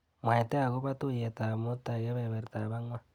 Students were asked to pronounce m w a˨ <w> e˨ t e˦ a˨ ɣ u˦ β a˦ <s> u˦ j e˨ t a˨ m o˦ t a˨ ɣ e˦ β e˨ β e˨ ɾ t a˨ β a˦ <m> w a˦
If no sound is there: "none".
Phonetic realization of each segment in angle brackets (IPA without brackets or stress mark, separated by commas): none, t, ŋ